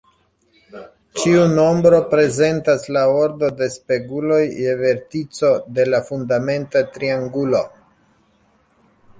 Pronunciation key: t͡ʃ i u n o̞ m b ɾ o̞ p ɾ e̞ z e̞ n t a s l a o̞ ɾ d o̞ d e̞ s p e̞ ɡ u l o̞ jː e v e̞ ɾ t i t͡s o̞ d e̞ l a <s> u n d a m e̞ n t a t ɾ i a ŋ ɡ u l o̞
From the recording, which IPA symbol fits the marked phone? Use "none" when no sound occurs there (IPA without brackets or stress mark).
f